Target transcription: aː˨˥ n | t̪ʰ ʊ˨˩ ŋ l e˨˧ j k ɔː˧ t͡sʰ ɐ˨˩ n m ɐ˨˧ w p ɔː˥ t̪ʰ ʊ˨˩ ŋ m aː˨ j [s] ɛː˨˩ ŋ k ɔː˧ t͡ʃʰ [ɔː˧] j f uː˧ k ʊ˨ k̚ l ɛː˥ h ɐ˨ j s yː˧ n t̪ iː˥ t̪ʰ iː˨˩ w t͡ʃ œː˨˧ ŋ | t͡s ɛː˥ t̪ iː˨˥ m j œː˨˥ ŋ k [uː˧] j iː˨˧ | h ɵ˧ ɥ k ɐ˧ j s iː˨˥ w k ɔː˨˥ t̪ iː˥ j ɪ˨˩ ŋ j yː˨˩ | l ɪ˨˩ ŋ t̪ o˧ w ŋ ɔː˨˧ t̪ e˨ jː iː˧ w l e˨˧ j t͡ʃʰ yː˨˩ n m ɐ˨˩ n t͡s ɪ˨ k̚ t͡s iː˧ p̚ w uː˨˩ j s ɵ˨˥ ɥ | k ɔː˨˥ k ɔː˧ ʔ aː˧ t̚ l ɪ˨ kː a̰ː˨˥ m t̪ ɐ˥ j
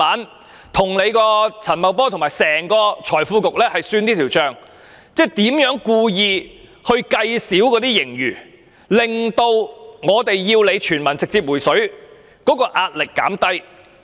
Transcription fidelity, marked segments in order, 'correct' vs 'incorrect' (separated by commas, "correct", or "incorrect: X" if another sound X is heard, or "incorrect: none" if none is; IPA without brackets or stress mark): correct, incorrect: ɔː˨˩, correct